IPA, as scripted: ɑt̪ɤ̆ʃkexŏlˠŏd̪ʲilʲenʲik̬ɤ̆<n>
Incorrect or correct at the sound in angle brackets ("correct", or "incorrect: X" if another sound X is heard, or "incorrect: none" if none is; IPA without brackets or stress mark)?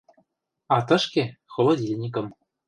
incorrect: m